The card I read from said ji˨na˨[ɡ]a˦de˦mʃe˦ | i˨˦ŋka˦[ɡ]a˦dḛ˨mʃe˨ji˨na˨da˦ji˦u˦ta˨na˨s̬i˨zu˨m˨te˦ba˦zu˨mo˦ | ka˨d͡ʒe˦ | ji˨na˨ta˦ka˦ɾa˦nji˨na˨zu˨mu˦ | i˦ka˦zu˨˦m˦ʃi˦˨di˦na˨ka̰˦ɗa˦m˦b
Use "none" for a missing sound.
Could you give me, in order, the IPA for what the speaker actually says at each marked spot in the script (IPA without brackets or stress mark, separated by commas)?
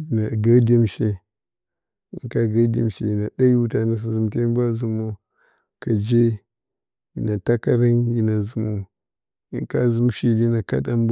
ɡ, ɡ